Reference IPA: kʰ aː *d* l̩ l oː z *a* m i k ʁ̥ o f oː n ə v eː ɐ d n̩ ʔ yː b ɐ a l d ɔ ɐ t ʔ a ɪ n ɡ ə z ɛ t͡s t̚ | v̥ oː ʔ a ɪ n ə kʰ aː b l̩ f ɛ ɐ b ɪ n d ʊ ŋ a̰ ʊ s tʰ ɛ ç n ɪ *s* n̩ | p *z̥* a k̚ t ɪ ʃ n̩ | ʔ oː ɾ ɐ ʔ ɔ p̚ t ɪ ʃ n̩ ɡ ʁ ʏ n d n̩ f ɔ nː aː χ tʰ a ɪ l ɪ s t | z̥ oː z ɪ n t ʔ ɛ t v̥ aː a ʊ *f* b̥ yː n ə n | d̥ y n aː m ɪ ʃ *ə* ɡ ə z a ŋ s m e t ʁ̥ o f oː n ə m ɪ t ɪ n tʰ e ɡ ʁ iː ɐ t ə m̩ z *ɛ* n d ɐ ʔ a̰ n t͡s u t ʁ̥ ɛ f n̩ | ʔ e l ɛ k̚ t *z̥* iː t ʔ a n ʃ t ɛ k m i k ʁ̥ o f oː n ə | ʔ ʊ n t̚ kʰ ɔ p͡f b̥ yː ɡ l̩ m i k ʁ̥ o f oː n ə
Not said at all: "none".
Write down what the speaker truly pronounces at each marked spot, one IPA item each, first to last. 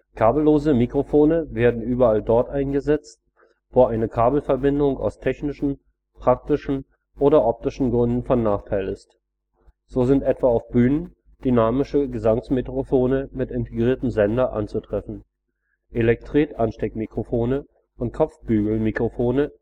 b, ə, ʃ, ʁ̥, f, ə, ɛ, ʁ̥

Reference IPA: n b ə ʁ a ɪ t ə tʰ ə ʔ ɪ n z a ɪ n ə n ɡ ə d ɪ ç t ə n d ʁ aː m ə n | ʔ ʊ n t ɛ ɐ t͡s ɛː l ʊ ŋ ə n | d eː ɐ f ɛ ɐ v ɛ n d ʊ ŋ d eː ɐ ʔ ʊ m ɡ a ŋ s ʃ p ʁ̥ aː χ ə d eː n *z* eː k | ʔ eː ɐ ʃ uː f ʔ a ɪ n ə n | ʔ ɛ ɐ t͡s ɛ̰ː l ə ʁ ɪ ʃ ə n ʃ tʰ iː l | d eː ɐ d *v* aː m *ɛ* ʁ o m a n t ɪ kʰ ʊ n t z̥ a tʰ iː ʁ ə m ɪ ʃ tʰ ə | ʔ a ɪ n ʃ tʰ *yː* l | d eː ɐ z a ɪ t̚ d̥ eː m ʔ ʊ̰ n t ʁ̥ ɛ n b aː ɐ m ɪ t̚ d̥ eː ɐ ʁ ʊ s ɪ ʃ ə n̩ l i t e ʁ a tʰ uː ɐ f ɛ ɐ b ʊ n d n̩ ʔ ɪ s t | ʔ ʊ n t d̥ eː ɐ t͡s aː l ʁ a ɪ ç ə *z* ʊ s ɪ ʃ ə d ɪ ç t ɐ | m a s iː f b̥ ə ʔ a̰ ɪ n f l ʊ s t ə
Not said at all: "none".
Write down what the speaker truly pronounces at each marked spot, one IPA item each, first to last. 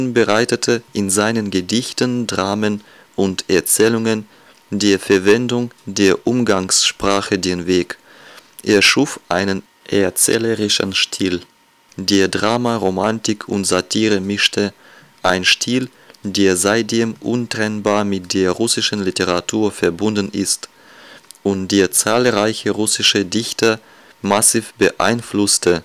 v, ʁ, a, iː, ʁ

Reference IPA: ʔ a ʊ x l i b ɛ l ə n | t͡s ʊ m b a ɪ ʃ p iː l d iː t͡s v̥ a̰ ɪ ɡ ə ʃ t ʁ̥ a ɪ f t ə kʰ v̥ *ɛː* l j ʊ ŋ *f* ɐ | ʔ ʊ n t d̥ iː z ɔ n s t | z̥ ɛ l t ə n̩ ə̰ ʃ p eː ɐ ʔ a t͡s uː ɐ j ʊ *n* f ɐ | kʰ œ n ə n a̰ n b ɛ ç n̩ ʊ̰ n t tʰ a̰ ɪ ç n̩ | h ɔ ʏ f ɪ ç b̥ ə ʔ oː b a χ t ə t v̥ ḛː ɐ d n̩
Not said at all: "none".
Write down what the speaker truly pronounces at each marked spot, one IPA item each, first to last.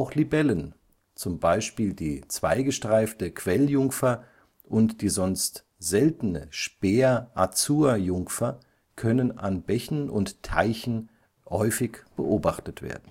ɛ, f, ŋ

